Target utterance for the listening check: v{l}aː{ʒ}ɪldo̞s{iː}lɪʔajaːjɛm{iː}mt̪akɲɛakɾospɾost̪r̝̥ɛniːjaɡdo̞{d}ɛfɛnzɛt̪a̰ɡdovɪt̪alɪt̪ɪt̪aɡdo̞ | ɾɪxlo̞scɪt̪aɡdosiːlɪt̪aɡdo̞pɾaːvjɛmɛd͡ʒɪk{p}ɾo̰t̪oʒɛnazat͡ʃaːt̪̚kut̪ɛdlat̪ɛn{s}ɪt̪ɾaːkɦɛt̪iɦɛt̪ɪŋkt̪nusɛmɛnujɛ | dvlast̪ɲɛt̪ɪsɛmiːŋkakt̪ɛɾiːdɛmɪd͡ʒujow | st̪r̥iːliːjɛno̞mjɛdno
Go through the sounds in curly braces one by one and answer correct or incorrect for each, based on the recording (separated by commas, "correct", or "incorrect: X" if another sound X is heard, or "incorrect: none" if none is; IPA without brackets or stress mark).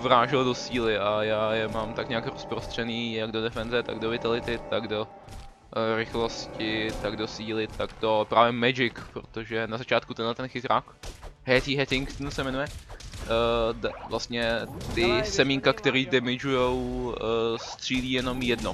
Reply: incorrect: ɾ, correct, correct, incorrect: aː, correct, correct, incorrect: x